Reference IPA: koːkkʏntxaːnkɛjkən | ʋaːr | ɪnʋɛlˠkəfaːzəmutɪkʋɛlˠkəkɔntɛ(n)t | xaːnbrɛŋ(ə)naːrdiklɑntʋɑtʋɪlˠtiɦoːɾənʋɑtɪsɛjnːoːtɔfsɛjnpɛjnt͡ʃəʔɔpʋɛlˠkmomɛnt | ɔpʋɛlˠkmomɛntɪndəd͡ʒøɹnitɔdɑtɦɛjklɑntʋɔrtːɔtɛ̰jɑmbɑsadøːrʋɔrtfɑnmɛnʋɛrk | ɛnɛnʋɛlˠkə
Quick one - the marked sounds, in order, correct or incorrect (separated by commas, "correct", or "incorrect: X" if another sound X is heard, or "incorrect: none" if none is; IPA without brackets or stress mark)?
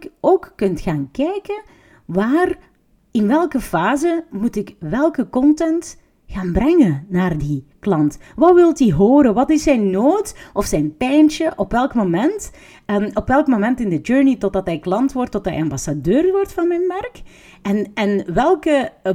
correct, correct